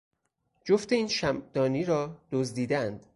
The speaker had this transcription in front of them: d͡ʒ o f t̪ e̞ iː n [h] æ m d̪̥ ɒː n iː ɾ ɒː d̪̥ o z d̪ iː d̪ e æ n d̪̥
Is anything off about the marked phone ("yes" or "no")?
yes